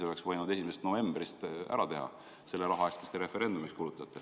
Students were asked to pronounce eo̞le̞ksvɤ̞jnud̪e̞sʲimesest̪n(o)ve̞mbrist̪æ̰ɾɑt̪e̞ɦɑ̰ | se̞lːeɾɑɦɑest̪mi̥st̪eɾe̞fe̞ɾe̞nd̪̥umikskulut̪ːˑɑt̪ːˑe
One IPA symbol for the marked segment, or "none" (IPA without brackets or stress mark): o